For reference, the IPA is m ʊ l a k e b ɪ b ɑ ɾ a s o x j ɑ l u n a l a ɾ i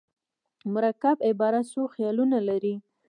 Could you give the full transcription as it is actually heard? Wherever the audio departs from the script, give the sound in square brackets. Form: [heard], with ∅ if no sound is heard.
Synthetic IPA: m ʊ [ɾ] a k [a] b ɪ b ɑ ɾ a s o x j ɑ l u n a l a ɾ i